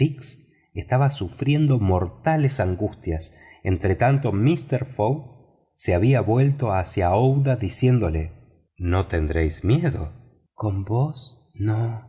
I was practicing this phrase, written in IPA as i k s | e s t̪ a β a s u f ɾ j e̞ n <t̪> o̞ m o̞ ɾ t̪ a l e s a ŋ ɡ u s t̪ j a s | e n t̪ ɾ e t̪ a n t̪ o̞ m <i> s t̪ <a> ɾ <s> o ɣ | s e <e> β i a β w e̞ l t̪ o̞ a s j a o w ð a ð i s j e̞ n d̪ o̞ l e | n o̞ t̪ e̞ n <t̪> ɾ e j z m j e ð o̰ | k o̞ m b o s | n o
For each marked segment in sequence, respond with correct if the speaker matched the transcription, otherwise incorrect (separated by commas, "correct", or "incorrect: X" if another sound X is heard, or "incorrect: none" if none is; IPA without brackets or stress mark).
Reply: incorrect: d̪, correct, incorrect: e, incorrect: f, incorrect: a, incorrect: d̪